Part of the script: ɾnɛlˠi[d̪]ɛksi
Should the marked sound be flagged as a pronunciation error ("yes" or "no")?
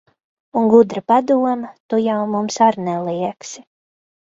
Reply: yes